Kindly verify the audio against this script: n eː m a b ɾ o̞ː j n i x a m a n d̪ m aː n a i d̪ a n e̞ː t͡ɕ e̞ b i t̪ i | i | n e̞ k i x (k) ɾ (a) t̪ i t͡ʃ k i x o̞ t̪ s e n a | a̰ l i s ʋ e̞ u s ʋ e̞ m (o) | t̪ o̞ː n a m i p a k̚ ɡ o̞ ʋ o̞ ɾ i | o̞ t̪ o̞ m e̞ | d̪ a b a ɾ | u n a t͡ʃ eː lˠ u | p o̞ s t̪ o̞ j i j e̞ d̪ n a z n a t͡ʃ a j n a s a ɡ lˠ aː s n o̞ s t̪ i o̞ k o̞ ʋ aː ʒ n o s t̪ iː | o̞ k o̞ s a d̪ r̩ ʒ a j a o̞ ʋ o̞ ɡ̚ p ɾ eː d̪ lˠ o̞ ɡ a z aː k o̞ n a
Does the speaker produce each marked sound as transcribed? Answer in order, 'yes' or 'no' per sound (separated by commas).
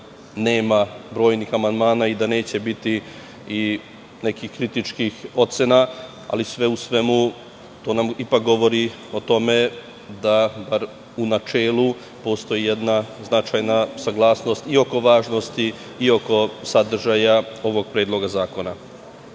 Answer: yes, no, no